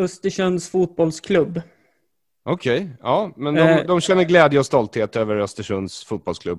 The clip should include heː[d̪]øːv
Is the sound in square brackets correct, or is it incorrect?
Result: incorrect